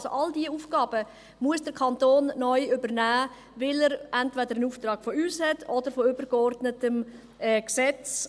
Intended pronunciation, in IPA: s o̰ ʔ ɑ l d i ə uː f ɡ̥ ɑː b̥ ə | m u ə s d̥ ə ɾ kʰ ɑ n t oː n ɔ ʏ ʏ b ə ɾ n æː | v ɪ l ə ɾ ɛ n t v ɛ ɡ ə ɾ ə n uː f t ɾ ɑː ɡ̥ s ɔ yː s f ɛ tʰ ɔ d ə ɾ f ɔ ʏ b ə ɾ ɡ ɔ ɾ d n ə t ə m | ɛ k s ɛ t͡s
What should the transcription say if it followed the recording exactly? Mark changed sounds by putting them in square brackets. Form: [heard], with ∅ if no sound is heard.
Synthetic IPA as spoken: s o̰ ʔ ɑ l d i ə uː f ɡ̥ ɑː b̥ ə | m u ə s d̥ ə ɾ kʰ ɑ n t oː [nː] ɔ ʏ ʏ b ə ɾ n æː | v ɪ l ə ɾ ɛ n t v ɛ [d] ə ɾ ə n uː f t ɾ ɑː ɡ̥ [f] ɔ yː s [h] ɛ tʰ ɔ d ə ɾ f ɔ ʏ b ə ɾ ɡ ɔ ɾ d n ə t ə m | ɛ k s ɛ t͡s